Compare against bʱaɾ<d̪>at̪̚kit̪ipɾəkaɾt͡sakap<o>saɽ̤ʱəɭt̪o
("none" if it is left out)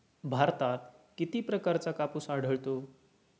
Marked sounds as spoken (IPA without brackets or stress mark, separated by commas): t̪, u